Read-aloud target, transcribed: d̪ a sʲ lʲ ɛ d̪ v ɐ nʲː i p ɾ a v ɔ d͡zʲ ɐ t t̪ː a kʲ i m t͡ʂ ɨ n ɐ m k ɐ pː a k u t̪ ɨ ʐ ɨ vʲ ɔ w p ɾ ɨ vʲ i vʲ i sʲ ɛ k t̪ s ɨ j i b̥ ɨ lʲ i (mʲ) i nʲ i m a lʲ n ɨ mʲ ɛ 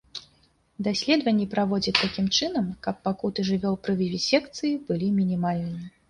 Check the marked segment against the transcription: correct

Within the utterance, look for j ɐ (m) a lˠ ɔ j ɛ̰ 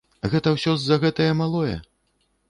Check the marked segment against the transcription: correct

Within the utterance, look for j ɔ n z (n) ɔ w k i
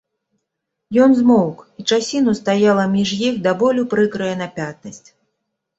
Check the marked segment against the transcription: incorrect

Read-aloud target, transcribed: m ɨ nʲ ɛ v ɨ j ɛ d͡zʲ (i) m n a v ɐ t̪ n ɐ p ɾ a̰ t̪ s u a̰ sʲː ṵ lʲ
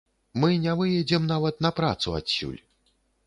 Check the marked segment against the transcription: incorrect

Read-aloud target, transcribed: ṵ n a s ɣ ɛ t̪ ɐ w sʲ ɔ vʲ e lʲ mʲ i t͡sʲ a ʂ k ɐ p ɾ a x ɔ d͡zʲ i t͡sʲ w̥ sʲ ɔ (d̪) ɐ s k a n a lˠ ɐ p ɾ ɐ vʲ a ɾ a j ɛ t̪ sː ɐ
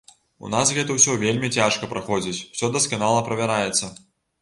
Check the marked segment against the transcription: correct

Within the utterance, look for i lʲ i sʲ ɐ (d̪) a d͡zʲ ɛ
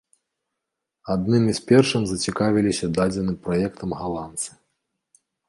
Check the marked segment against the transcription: correct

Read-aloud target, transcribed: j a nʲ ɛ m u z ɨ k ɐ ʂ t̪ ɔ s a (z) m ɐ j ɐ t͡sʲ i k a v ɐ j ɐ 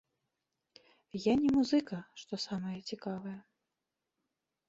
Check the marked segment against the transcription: incorrect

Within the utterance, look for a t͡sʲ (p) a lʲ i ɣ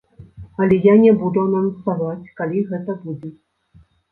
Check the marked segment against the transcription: incorrect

